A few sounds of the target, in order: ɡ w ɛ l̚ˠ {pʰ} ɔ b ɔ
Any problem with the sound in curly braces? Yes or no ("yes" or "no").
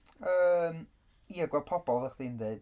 no